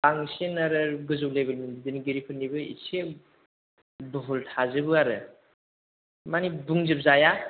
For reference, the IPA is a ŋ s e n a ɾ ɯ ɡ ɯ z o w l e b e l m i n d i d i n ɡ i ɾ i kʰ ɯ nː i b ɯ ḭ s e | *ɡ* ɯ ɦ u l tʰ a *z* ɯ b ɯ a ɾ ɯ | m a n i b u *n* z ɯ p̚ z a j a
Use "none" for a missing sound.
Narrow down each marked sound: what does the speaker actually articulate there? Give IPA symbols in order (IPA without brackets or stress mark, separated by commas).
b, z, ŋ